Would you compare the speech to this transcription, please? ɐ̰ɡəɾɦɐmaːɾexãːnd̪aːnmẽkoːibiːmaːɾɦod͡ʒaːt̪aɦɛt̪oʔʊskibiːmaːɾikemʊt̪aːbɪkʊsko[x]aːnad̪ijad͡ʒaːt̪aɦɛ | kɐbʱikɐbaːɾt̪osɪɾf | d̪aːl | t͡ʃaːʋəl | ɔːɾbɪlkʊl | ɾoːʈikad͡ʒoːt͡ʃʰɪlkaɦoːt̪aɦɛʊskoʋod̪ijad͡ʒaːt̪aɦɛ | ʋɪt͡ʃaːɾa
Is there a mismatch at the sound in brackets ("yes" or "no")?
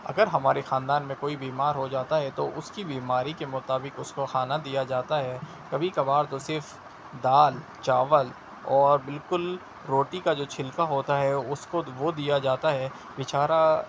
no